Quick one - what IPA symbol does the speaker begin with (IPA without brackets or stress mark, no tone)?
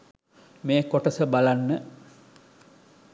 m